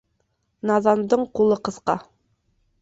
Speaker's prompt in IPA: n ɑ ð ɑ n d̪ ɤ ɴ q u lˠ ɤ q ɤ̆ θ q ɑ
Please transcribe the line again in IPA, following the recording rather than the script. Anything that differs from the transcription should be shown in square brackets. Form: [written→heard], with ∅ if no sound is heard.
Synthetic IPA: n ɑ ð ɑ n d̪ ɤ ɴ q u lˠ ɤ q ɤ̆ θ q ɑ